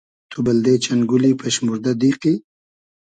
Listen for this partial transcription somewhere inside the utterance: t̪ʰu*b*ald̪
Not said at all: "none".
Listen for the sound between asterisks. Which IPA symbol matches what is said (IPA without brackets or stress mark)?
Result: b